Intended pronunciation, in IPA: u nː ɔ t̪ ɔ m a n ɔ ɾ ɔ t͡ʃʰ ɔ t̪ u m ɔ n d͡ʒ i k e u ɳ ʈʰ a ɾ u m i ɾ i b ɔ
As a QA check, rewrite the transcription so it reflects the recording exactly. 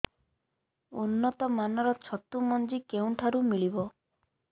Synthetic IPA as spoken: u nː ɔ t̪ ɔ m a n ɔ ɾ ɔ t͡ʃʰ ɔ t̪ u m ɔ n d͡ʒ i k e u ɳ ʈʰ a ɾ u m i ɭ i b ɔ